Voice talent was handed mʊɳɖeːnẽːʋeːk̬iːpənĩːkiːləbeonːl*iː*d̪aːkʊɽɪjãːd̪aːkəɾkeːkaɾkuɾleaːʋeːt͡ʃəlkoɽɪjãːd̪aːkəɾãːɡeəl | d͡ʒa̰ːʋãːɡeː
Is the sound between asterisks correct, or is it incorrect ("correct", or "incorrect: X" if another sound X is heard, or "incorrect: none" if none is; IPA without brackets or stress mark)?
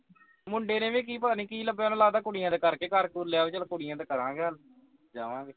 incorrect: aː